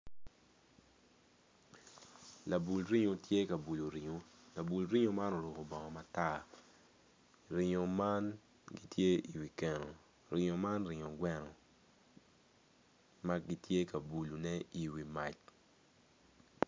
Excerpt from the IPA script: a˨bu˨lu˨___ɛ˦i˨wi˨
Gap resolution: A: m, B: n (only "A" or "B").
B